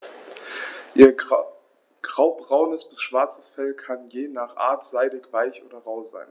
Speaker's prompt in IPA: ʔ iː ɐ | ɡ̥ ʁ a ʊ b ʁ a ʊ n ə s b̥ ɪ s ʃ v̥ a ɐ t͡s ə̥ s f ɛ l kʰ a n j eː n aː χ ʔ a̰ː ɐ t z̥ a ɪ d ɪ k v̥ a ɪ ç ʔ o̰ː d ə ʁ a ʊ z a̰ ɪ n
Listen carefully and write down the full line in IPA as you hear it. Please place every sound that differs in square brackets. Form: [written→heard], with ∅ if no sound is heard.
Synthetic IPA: ʔ iː ɐ | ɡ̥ ʁ a ʊ b ʁ a ʊ n ə s b̥ ɪ s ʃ v̥ a ɐ t͡s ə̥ s f ɛ l kʰ a n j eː n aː χ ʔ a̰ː ɐ t z̥ a ɪ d ɪ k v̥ a ɪ ç ʔ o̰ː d [ə→ɐ] ʁ a ʊ z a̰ ɪ n

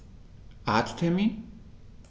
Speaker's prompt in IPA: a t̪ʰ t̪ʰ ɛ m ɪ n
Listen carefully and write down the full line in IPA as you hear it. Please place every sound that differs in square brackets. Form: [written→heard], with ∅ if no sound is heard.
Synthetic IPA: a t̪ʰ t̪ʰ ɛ m [ɪ→i] n

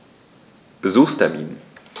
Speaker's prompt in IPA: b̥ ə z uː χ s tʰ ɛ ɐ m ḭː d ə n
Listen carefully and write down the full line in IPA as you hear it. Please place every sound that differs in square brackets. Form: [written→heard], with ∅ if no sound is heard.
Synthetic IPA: b̥ ə z uː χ s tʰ ɛ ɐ m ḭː [d→n] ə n

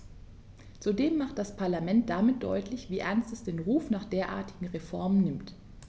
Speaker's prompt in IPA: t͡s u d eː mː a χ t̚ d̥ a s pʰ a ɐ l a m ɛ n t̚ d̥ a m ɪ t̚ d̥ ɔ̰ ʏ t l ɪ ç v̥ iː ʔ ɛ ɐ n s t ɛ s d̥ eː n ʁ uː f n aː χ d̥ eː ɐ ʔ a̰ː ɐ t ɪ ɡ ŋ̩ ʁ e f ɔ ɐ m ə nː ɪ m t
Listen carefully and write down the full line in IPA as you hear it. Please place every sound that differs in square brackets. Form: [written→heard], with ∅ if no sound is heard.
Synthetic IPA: t͡s u d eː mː a χ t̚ d̥ a s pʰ a ɐ l a m ɛ n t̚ d̥ a m ɪ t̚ d̥ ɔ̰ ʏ t l ɪ ç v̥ iː ʔ ɛ ɐ n s t ɛ s d̥ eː n ʁ uː f n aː χ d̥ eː ɐ ʔ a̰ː ɐ t ɪ ɡ ŋ̩ ʁ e f ɔ ɐ m ə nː ɪ m t

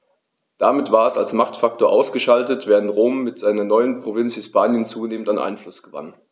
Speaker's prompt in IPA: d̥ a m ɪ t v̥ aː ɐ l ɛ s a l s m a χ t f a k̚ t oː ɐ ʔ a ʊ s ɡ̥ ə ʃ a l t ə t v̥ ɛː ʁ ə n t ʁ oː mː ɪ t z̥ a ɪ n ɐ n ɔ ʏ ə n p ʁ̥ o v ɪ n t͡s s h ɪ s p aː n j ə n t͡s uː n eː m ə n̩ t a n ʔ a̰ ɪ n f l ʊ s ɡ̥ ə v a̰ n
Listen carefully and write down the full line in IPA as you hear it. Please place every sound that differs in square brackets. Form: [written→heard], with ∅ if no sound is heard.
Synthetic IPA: d̥ a m ɪ t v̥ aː ɐ [l→∅] ɛ s a l s m a χ t f a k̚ t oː ɐ ʔ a ʊ s ɡ̥ ə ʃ a l t ə t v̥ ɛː ʁ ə n t ʁ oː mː ɪ t z̥ a ɪ n ɐ n ɔ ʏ ə n p ʁ̥ o v ɪ n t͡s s h ɪ s p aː n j ə n t͡s uː n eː m ə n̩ t a n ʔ a̰ ɪ n f l ʊ s ɡ̥ ə v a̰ n

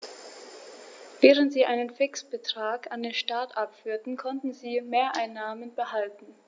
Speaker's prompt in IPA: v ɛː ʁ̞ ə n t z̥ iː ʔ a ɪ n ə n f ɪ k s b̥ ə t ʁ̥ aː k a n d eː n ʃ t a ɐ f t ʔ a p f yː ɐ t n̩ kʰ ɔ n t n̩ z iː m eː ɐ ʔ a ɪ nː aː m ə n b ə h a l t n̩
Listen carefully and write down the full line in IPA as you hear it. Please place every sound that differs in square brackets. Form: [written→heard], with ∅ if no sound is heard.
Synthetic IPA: v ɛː ʁ̞ ə n t z̥ iː ʔ a ɪ n ə n f ɪ k s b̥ ə t ʁ̥ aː k a n d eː n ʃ t a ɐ [f→∅] t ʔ a p f yː ɐ t n̩ kʰ ɔ n t n̩ z iː m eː ɐ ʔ a ɪ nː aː m ə n b ə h a l t n̩

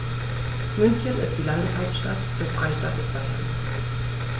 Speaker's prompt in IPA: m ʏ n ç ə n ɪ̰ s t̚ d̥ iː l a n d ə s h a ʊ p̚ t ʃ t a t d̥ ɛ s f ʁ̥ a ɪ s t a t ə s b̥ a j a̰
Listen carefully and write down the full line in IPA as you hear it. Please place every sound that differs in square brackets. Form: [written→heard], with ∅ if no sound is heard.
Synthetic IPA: m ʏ n ç ə n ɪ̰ s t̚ d̥ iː l a n d ə s h a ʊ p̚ t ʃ t a t d̥ ɛ s f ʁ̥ a ɪ [s→ʃ] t a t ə s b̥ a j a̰

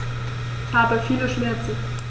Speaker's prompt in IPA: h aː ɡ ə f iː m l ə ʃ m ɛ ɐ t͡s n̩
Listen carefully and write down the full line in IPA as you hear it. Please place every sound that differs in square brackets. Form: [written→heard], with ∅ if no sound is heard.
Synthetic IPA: h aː [ɡ→b] ə f iː [m→∅] l ə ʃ m ɛ ɐ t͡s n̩

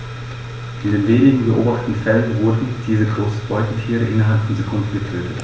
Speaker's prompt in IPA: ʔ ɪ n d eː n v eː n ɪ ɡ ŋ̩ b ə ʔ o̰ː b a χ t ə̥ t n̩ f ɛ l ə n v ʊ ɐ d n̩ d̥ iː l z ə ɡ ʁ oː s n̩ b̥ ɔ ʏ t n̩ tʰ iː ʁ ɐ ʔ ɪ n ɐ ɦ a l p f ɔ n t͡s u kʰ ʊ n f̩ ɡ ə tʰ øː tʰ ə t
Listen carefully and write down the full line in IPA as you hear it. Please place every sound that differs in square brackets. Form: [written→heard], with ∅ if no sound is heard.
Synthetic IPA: ʔ ɪ n d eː n v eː n ɪ ɡ ŋ̩ b ə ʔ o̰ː b a χ t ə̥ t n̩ f ɛ l ə n v ʊ ɐ d n̩ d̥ iː [l→∅] z ə ɡ ʁ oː s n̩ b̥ ɔ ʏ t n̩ tʰ iː ʁ [ɐ→ə] ʔ ɪ n ɐ ɦ a l p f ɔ n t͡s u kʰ ʊ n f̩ ɡ ə tʰ øː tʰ ə t

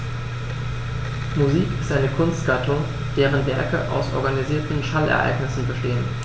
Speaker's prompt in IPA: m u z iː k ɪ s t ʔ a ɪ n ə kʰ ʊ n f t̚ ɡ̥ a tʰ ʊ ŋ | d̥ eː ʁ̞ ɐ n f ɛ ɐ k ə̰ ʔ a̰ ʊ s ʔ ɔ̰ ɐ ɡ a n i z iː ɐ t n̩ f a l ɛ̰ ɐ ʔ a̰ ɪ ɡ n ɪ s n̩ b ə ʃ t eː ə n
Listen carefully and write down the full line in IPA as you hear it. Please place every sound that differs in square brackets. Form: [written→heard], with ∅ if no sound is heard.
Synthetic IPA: m u z iː k ɪ s t ʔ a ɪ n ə kʰ ʊ n [f→s] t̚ ɡ̥ a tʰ ʊ ŋ | d̥ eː ʁ̞ [ɐ→ə] n [f→v] ɛ ɐ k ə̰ ʔ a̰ ʊ s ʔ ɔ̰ ɐ ɡ a n i z iː ɐ t n̩ [f→ʃ] a l ɛ̰ ɐ ʔ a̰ ɪ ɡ n ɪ s n̩ b ə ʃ t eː ə n

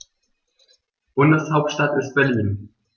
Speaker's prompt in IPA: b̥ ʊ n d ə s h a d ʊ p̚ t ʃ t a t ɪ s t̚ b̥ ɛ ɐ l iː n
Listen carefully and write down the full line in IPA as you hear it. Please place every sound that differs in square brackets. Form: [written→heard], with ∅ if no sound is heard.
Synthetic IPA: b̥ ʊ n d ə s h a [d→∅] ʊ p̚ t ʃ t a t ɪ s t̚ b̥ ɛ ɐ l iː n

